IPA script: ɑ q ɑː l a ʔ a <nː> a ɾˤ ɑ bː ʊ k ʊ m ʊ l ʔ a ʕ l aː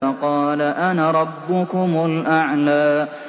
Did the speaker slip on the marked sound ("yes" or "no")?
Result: yes